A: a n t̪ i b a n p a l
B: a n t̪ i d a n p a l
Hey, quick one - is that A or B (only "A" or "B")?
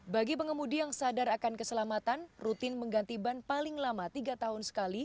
A